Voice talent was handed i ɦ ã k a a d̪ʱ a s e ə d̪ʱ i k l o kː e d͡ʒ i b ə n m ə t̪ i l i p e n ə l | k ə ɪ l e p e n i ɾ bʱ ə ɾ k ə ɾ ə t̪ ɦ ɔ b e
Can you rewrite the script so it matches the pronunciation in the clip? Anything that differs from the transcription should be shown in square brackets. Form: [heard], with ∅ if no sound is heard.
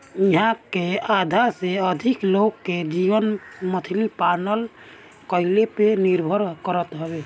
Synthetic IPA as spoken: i ɦ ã k [e] a d̪ʱ a s e ə d̪ʱ i k l o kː e d͡ʒ i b ə n m ə [t̪ʰ] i l i p [a] n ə l | k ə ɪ l e p e n i ɾ bʱ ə ɾ k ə ɾ ə t̪ ɦ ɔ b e